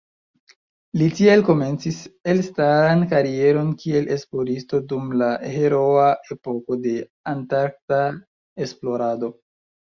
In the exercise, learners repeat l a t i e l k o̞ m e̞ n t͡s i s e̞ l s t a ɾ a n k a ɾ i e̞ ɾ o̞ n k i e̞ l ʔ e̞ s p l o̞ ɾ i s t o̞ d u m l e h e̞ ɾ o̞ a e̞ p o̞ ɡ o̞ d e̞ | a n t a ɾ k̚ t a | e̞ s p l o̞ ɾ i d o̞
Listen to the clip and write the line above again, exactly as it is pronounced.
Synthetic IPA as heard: l i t i e l k o̞ m e̞ n t͡s i s e̞ l s t a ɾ a n k a ɾ i e̞ ɾ o̞ n k i e̞ l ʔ e̞ s p l o̞ ɾ i s t o̞ d u m l a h e̞ ɾ o̞ a e̞ p o̞ k o̞ d e̞ | a n t a ɾ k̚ t a | e̞ s p l o̞ ɾ a d o̞